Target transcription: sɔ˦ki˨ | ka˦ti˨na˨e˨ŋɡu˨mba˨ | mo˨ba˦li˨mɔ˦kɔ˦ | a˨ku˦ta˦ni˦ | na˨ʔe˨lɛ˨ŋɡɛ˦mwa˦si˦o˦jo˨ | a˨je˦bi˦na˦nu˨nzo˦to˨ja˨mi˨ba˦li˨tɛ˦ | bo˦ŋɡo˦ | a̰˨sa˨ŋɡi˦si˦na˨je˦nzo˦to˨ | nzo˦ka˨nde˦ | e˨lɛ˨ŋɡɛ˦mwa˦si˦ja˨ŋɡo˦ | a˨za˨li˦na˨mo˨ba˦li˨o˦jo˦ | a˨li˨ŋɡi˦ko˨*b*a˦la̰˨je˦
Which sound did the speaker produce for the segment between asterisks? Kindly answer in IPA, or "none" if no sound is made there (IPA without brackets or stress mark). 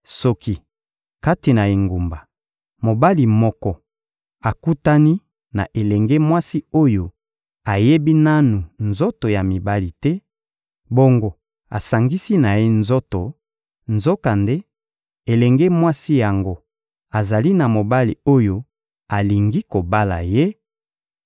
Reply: b